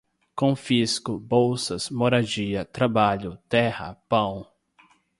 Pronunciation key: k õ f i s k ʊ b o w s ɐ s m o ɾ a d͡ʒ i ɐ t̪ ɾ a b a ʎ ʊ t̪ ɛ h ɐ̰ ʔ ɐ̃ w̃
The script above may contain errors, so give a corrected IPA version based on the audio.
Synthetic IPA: k õ f i s k ʊ b o w s ɐ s m o ɾ a d͡ʒ i ɐ t̪ ɾ a b a ʎ ʊ t̪ ɛ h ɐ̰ p ɐ̃ w̃